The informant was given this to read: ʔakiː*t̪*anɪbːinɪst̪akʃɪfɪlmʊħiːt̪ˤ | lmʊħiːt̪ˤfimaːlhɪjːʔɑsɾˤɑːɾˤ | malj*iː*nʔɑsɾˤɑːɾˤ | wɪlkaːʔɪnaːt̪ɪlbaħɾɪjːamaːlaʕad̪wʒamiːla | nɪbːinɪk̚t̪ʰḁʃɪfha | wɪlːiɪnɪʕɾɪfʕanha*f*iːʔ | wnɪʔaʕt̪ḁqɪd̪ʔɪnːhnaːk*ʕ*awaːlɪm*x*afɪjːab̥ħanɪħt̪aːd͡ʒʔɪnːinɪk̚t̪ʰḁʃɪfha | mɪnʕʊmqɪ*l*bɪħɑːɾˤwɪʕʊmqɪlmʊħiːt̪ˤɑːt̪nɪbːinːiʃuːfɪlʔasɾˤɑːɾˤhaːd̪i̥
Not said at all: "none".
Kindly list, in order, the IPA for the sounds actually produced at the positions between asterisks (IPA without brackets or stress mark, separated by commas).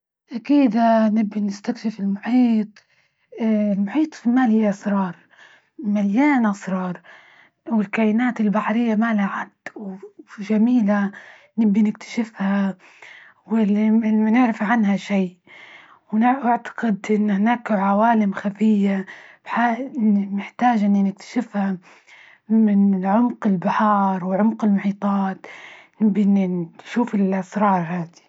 d̪, aː, ʃ, ʕ, x, l